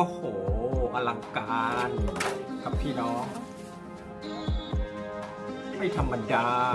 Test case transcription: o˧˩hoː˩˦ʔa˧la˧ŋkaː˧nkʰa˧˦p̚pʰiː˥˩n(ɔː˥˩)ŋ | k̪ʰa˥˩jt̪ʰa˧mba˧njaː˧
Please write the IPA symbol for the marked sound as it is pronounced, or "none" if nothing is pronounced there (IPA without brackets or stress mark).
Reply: ɔː˥˩